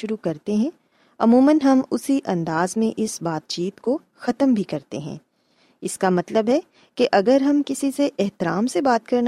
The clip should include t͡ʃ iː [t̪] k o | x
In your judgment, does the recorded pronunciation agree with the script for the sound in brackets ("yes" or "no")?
yes